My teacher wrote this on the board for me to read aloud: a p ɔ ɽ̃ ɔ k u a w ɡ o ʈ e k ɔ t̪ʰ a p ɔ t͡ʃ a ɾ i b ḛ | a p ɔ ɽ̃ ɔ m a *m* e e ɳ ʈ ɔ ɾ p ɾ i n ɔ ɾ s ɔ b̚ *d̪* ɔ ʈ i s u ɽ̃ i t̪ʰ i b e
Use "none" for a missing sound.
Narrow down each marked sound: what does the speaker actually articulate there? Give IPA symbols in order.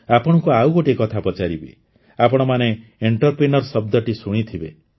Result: n, d̪

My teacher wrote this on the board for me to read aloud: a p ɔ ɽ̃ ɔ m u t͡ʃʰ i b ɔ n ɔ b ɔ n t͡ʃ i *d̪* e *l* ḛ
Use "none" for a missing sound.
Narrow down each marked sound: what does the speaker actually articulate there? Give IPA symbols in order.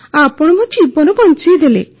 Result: d̪, l

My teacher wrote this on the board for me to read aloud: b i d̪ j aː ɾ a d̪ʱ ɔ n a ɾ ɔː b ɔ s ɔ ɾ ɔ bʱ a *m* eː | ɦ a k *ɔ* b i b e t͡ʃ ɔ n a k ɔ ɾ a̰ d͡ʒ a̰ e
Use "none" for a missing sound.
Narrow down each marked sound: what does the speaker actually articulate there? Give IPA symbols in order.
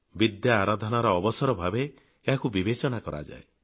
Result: b, u

